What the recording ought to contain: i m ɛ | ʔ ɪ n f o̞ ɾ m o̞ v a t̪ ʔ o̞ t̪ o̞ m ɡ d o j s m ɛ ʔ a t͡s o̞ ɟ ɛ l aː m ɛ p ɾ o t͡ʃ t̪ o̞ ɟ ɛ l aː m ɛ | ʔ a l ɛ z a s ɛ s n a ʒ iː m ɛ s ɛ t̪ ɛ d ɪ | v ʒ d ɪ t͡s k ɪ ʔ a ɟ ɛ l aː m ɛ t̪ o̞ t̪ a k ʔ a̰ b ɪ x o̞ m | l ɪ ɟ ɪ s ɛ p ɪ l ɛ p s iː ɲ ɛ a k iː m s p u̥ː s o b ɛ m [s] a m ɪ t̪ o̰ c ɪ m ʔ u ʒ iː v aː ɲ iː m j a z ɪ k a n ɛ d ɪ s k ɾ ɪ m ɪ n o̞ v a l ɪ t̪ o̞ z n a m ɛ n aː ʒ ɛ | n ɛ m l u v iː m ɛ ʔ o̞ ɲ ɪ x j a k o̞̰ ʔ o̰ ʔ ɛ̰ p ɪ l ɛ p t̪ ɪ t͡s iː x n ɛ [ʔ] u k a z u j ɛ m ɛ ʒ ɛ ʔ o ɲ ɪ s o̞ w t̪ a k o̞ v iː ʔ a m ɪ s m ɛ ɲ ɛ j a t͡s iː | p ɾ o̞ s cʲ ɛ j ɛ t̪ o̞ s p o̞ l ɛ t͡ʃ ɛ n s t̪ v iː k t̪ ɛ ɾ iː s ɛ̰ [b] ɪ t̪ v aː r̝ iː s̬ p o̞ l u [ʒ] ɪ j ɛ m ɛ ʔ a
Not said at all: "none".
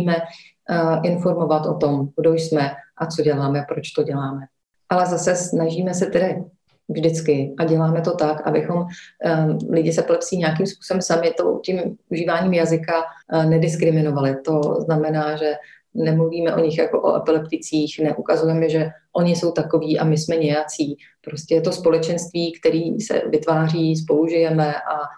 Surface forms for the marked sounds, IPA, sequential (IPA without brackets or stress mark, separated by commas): s, ʔ, v, ʒ